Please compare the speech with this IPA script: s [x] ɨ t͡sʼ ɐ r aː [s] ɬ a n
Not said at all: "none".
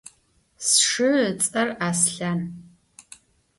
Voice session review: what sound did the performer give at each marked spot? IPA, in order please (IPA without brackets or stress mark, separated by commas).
ʂ, s